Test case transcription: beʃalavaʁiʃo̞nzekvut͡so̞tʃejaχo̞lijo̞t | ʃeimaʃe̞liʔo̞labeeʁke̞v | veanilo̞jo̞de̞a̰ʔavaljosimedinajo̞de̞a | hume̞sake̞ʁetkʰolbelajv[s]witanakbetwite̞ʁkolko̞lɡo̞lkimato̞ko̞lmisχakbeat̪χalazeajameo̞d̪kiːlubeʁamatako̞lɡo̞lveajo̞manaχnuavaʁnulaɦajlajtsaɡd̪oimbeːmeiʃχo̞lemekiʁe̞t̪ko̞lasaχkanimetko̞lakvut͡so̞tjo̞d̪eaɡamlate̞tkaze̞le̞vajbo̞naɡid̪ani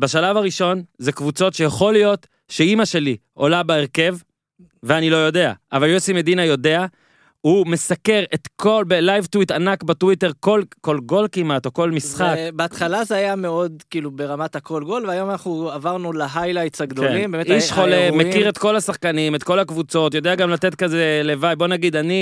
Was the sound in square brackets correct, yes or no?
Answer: no